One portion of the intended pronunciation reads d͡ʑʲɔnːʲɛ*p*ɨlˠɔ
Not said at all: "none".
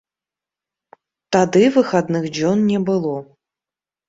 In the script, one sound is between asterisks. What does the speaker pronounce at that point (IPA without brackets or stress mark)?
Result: b